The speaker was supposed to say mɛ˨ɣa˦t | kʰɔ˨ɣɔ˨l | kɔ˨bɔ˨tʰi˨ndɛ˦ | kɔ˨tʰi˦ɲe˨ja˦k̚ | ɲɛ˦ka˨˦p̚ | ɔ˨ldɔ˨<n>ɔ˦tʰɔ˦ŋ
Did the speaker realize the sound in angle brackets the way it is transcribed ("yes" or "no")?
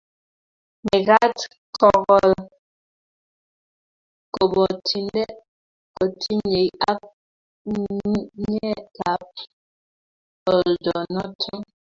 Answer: yes